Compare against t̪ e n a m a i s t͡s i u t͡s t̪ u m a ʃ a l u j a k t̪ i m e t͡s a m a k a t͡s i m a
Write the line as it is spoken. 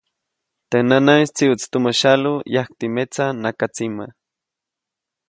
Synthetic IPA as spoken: t̪ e n a n a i s t͡s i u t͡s t̪ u m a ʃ a l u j a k t̪ i m e t͡s a n a k a t͡s i m a